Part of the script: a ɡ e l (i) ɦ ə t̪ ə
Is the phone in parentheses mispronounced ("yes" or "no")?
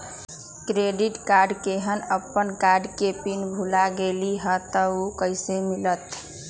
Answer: no